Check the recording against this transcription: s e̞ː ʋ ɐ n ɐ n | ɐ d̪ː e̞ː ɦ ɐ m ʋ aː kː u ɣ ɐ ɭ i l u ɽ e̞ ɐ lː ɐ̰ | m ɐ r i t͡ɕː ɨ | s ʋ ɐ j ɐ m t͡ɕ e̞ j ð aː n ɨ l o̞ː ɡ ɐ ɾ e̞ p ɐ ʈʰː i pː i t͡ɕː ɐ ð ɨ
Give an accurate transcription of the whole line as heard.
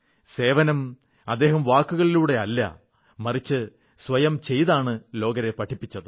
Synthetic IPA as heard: s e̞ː ʋ ɐ n ɐ m | ɐ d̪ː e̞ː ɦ ɐ m ʋ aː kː u ɣ ɐ ɭ i l uː ɽ e̞ ɐ lː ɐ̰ | m ɐ r i t͡ɕː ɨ | s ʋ ɐ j ɐ m t͡ɕ e̞ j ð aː ɳ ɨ l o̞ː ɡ ɐ ɾ e̞ p ɐ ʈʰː i pː i t͡ɕː ɐ ð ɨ